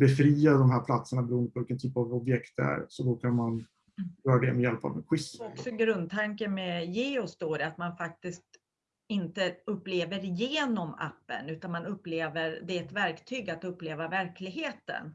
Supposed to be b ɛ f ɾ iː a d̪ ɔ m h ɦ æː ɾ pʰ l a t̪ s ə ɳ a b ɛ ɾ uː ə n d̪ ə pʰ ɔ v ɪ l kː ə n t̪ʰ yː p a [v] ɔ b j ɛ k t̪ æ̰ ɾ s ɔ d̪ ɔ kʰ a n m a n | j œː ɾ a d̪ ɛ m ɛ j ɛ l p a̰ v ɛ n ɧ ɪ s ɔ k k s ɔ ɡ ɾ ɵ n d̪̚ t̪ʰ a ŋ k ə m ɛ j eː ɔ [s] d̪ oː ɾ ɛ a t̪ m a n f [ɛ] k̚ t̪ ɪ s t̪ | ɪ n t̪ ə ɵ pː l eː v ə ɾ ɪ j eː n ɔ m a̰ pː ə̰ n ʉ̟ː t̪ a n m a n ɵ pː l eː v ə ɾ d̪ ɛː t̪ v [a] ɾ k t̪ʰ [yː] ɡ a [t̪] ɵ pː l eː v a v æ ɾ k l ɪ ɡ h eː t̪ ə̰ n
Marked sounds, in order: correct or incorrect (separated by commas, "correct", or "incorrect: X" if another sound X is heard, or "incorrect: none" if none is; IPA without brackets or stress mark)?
correct, correct, incorrect: a, incorrect: æ, correct, correct